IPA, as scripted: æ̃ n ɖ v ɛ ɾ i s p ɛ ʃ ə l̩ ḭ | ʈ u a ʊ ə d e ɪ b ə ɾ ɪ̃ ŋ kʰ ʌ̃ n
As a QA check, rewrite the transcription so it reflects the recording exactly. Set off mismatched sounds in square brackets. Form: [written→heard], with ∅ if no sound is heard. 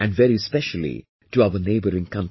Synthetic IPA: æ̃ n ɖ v ɛ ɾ i s p ɛ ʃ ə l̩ ḭ | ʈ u a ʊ ə [d→n] e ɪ b ə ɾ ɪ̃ ŋ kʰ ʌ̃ n